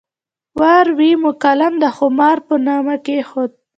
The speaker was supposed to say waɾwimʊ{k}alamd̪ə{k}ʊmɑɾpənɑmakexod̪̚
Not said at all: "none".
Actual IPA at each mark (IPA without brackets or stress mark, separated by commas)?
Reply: k, x